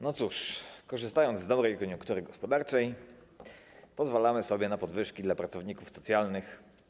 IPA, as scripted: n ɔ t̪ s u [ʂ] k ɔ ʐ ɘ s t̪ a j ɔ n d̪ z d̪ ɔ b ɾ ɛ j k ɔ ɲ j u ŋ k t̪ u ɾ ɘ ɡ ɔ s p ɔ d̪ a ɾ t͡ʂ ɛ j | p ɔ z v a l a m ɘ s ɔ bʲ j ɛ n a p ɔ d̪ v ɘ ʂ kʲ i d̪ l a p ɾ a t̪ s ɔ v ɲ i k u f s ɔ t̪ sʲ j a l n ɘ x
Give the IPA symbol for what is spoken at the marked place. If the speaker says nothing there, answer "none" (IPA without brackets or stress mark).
ʂ